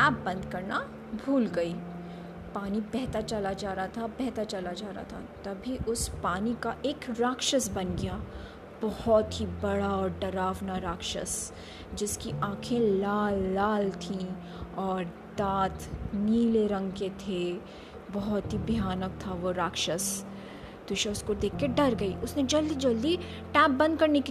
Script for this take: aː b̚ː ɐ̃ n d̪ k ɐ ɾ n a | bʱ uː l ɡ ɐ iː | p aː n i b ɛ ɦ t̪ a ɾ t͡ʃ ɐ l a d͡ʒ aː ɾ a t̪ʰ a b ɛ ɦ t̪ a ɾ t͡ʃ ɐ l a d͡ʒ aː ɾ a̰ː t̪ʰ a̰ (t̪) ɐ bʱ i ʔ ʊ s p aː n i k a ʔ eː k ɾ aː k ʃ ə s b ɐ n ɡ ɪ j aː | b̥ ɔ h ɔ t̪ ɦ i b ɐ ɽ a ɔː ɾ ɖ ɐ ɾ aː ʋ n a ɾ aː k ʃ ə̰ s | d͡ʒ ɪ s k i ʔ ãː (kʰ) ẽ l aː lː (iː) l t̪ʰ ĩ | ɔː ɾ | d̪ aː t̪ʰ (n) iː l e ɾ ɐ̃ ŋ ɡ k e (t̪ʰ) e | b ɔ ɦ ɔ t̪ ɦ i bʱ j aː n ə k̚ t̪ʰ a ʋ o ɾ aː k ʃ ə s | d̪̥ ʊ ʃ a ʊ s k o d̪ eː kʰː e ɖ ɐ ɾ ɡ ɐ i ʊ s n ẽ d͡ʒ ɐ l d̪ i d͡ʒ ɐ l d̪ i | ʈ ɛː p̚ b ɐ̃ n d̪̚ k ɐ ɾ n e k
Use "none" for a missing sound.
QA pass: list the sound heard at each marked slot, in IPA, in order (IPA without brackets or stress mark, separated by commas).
t̪, kʰ, aː, n, t̪ʰ